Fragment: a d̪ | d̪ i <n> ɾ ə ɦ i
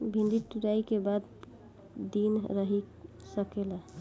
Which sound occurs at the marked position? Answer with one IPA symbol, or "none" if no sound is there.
n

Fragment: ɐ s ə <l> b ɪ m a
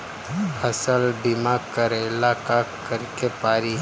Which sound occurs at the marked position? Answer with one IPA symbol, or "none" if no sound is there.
l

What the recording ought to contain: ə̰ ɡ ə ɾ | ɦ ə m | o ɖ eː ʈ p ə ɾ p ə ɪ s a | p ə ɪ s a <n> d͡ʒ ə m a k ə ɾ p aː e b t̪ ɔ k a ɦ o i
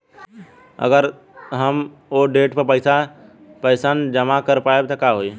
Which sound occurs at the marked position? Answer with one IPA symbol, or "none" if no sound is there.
n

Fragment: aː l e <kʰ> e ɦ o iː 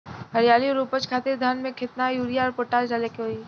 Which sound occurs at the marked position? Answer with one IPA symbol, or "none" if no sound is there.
k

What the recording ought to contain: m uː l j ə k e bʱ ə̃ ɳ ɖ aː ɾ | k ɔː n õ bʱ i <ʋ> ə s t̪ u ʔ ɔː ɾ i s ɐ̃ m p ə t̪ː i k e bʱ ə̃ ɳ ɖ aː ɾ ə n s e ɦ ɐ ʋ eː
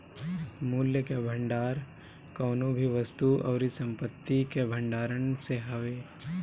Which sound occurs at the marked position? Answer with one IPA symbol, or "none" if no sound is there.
ʋ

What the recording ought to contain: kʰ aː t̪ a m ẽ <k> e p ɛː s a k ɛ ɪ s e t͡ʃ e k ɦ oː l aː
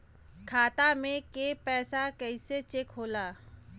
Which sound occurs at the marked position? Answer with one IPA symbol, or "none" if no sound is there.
k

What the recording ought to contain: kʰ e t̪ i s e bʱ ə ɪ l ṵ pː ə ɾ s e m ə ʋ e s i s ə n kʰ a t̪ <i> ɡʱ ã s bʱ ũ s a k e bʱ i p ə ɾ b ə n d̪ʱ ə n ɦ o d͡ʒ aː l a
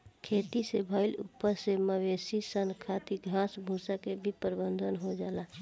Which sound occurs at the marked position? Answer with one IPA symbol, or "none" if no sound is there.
i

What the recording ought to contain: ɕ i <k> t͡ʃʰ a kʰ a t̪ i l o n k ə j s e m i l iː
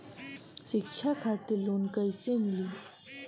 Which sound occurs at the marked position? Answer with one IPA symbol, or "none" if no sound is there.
k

